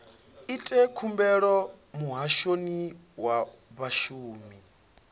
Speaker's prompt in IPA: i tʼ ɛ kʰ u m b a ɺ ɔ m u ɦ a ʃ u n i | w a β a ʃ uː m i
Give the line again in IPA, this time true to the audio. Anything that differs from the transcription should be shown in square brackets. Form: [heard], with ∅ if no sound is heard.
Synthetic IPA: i tʼ ɛ kʰ u m b [ɛ] ɺ ɔ m u ɦ a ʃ [o] n i | w a β a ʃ uː m i